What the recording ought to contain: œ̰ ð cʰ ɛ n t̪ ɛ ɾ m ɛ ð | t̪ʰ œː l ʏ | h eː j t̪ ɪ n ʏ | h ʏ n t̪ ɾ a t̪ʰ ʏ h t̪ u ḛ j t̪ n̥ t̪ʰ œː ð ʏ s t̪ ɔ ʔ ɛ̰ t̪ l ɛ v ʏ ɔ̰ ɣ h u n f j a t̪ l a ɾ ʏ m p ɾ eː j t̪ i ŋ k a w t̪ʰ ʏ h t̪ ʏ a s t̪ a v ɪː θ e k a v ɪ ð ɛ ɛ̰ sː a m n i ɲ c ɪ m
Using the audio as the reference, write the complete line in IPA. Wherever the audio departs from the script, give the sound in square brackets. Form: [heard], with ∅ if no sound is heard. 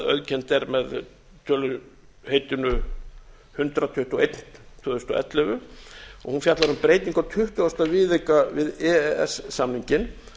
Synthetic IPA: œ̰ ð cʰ ɛ n t̪ ɛ ɾ m ɛ ð | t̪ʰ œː l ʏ | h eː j t̪ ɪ n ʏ | h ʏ n t̪ ɾ a t̪ʰ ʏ h t̪ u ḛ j t̪ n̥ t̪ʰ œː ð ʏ s t̪ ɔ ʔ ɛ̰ t̪ l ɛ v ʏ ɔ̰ ɣ h u n f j a t̪ l a ɾ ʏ m p ɾ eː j t̪ i ŋ k a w t̪ʰ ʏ h t̪ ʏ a s t̪ a v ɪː [ð] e k a v ɪ ð ɛ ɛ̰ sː a m n i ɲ c ɪ [n]